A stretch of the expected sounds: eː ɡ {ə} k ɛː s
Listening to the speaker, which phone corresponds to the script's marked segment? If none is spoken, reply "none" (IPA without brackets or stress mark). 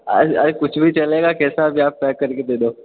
a